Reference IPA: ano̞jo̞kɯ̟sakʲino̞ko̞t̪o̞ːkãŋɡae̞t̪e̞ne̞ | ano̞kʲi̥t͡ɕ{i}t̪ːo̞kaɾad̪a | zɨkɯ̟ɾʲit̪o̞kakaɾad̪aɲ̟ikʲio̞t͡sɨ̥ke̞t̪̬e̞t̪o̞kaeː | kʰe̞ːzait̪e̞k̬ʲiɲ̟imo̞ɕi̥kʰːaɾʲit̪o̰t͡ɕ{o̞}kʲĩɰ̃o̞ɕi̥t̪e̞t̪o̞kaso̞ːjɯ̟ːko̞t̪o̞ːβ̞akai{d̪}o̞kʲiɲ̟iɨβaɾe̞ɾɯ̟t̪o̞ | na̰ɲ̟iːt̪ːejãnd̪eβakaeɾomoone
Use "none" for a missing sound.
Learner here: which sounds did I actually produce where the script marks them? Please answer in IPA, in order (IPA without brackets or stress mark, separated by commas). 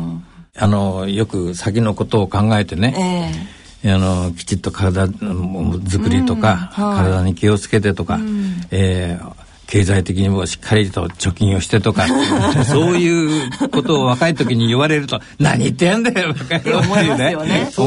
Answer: i, o̞, t̪